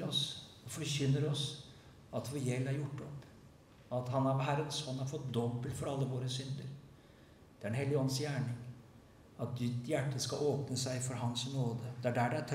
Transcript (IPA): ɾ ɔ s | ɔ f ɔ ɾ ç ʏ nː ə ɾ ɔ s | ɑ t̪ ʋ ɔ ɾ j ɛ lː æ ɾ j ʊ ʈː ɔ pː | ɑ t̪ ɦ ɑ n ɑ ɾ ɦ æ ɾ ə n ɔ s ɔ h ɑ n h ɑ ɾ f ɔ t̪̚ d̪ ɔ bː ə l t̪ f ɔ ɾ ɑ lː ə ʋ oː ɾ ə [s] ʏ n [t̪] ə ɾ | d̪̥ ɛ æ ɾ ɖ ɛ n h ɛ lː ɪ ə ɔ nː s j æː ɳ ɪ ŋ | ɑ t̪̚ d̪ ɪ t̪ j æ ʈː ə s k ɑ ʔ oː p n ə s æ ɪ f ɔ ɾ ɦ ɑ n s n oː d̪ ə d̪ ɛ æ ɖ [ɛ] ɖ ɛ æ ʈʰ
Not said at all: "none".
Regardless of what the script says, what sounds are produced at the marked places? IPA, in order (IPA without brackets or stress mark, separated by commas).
s, d̪, æ